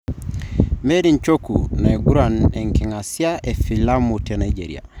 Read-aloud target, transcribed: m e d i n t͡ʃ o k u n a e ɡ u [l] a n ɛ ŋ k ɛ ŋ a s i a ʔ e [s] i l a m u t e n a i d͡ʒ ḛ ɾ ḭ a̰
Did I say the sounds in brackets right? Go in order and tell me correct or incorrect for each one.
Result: incorrect: ɾ, incorrect: f

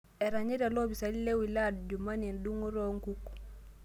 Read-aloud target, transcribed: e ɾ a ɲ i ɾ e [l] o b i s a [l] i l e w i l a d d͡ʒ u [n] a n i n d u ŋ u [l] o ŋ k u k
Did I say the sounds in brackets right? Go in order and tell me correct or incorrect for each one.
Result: correct, correct, incorrect: m, incorrect: ɾ

